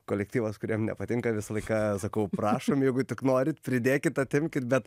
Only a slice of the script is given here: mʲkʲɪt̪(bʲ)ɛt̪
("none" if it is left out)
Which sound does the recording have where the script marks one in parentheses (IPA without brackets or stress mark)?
bʲ